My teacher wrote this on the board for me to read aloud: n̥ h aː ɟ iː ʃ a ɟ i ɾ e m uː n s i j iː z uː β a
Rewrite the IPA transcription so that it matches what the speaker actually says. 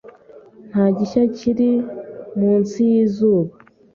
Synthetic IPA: n̥ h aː ɟ i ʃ a c i ɾ i m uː n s i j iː z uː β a